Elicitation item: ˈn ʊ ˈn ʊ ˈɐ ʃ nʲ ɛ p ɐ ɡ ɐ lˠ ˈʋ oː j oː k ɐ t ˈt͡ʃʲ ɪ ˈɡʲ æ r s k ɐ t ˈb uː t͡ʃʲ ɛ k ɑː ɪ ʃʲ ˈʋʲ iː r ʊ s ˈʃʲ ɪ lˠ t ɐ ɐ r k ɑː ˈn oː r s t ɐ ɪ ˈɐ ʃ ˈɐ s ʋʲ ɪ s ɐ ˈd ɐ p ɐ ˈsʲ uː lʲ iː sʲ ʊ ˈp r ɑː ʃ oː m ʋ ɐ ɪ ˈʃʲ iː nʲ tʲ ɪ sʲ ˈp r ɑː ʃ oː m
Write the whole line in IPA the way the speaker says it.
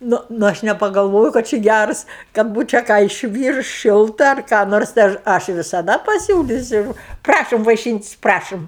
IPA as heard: ˈn ʊ ˈn ʊ ˈɐ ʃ nʲ ɛ p ɐ ɡ ɐ lˠ ˈʋ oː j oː k ɐ t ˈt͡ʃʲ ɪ ˈɡʲ æ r s k ɐ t ˈb uː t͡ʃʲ ɛ k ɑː ɪ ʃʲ ˈʋʲ iː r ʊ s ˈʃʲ ɪ lˠ t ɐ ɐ r k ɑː ˈn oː r s t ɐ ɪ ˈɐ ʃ ˈɐ ʃ ʋʲ ɪ s ɐ ˈd ɐ p ɐ ˈsʲ uː lʲ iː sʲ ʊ ˈp r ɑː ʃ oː m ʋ ɐ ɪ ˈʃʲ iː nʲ tʲ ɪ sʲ ˈp r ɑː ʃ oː m